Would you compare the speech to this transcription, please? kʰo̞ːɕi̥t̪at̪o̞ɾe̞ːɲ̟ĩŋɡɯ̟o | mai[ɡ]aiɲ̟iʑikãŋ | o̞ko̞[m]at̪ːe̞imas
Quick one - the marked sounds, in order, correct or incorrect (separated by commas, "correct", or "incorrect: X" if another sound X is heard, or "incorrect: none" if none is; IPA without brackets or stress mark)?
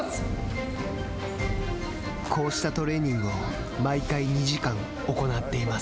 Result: incorrect: k, incorrect: n